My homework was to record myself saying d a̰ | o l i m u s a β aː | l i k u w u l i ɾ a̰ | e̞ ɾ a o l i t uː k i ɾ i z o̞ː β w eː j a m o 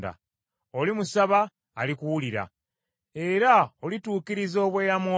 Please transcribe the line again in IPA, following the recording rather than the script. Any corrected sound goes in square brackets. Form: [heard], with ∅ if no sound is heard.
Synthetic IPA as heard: d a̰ | o l i m u s a β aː | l i k u w u l i ɾ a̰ | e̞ ɾ a o l i t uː k i ɾ i z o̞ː β w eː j a m o